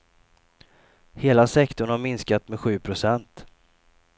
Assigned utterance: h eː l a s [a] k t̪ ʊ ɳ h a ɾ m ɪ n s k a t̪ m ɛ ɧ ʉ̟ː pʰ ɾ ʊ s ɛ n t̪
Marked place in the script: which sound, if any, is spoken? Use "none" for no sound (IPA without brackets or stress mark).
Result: ɛ